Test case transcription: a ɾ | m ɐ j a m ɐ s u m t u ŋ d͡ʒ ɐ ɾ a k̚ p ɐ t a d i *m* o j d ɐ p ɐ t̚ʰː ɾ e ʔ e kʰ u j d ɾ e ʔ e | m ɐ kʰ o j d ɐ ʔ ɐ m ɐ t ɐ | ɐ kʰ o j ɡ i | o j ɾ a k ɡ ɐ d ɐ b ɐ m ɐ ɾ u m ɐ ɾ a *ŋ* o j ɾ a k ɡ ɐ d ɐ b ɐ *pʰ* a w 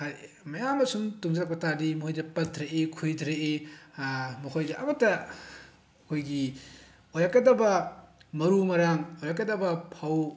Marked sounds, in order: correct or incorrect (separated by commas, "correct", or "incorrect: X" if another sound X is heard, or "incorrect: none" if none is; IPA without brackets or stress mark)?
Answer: correct, correct, correct